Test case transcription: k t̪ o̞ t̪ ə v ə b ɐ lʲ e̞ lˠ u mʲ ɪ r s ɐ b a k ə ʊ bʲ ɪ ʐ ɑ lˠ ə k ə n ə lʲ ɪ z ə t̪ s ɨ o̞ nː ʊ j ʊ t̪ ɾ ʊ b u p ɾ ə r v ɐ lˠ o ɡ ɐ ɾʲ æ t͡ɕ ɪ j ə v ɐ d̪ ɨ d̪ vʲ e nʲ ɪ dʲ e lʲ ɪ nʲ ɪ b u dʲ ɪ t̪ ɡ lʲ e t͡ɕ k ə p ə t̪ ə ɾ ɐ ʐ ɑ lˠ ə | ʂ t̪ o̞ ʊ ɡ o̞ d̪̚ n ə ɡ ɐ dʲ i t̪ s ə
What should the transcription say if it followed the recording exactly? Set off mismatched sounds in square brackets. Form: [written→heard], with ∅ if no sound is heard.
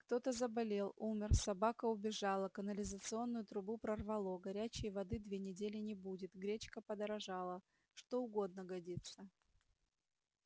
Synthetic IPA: k t̪ o̞ t̪ ə [v→z] ə b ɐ lʲ e̞ lˠ u mʲ ɪ r s ɐ b a k ə ʊ bʲ ɪ ʐ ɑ lˠ ə k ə n ə lʲ ɪ z ə t̪ s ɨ o̞ nː ʊ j ʊ t̪ ɾ ʊ b u p ɾ ə r v ɐ lˠ o ɡ ɐ ɾʲ æ t͡ɕ ɪ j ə v ɐ d̪ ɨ d̪ vʲ e nʲ ɪ dʲ e lʲ ɪ nʲ ɪ b u dʲ ɪ t̪ ɡ [lʲ→ɾʲ] e t͡ɕ k ə p ə [t̪→d̪] ə ɾ ɐ ʐ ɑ lˠ ə | ʂ t̪ o̞ ʊ ɡ o̞ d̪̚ n ə ɡ ɐ dʲ i t̪ s ə